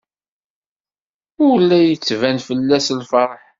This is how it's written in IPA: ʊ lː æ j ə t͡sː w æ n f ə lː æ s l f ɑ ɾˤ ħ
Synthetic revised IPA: ʊ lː æ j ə t͡sː v æ n f ə lː æ s l f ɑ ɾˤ ħ